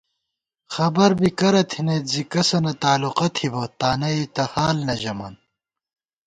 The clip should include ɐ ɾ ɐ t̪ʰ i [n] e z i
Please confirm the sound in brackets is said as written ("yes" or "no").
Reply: yes